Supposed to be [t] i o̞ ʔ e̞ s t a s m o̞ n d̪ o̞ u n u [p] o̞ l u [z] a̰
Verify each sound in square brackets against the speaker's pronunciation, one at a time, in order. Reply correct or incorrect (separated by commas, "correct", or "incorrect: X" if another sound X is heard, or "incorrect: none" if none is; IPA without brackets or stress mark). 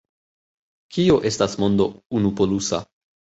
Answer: incorrect: k, correct, incorrect: s